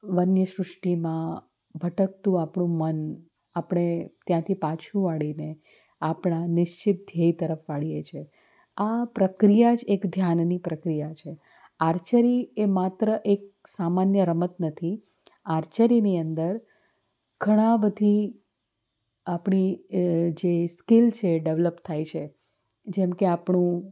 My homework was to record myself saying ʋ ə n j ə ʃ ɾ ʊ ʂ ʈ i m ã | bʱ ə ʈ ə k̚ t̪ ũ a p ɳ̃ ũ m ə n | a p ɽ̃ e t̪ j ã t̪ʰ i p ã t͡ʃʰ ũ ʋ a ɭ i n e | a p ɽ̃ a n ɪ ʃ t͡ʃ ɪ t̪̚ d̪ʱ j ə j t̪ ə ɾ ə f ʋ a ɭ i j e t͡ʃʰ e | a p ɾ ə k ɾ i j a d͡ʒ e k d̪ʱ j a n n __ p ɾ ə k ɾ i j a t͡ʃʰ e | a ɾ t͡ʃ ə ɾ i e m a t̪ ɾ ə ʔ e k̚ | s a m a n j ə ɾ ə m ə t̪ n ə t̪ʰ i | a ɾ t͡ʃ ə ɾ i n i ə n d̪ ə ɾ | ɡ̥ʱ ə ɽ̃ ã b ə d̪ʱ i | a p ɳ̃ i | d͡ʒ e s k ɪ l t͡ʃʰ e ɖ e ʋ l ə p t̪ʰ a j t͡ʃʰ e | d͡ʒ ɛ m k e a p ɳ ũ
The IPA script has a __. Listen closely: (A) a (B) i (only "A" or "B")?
B